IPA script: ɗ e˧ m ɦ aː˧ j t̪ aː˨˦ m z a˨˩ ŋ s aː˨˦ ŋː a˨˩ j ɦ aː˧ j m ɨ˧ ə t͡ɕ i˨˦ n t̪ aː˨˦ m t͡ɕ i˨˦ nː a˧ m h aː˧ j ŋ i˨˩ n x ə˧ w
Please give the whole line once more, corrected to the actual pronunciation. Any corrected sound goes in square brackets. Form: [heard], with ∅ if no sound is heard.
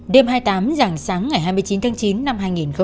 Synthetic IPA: ɗ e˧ m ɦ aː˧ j t̪ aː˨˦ m z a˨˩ ŋ s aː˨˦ ŋː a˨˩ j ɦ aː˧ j m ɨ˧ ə t͡ɕ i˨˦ n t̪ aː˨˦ [ŋ] t͡ɕ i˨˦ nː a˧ m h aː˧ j ŋ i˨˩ n x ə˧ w